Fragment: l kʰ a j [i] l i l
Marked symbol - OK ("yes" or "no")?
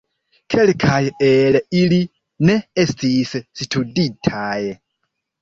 no